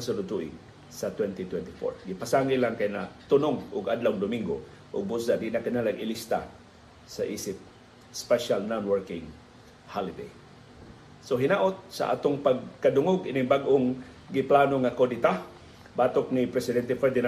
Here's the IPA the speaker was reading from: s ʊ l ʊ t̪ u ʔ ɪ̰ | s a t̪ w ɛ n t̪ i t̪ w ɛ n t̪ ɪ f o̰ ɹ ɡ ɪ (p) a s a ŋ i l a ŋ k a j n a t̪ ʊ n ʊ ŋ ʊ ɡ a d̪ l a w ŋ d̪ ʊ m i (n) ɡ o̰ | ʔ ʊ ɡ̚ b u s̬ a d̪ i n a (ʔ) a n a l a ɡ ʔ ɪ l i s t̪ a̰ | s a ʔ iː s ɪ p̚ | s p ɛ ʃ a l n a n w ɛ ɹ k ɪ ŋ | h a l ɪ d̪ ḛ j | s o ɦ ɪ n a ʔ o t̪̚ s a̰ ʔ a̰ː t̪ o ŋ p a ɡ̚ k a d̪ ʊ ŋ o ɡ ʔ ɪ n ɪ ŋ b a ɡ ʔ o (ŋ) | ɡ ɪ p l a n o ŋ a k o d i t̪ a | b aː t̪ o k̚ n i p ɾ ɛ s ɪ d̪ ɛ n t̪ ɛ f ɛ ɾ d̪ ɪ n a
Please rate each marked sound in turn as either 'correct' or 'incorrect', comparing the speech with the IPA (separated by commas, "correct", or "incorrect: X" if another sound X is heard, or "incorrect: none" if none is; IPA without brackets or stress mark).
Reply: correct, incorrect: ŋ, incorrect: k, correct